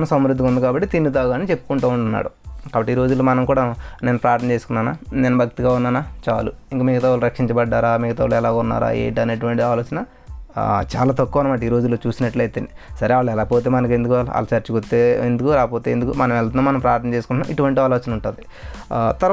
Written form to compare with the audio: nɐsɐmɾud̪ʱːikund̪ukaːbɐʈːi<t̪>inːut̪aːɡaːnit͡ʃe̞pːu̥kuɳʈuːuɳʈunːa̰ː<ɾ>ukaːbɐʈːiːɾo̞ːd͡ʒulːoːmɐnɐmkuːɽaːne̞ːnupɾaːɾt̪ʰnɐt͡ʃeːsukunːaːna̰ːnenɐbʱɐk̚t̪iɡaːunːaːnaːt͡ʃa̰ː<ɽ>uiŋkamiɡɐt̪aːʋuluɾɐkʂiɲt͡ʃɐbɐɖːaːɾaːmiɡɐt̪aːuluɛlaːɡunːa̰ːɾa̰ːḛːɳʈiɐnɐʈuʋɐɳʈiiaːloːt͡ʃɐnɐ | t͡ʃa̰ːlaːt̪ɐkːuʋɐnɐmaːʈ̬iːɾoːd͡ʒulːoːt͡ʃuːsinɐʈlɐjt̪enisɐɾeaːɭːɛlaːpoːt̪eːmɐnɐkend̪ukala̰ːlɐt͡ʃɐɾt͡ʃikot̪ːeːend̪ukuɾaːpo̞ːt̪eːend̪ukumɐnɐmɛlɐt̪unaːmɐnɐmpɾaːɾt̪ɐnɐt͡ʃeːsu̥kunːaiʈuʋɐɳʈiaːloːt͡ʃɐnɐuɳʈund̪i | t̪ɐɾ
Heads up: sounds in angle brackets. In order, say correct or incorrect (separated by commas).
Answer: correct, incorrect, incorrect